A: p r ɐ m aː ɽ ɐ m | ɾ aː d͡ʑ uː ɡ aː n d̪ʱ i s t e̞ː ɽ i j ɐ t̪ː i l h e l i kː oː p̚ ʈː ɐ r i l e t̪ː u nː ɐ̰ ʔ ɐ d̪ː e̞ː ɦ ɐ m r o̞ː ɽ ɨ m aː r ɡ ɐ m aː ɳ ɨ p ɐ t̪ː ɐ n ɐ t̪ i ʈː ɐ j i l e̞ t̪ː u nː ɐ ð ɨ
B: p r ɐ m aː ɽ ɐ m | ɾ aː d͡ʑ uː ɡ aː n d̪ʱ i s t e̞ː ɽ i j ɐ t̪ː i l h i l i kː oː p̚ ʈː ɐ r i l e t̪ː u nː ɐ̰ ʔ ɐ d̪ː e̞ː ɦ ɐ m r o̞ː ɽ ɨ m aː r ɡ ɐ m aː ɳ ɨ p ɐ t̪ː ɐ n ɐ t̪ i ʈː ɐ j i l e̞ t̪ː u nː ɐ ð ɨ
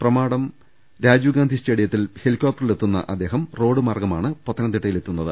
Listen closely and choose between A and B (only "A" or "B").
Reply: A